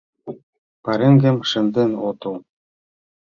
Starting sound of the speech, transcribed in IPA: p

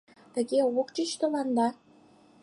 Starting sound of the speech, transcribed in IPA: t̪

